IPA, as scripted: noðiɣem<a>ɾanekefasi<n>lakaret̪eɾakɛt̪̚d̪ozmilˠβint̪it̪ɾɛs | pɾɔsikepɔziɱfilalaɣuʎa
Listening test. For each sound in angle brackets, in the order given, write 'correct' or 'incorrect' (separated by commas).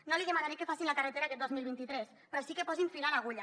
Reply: correct, correct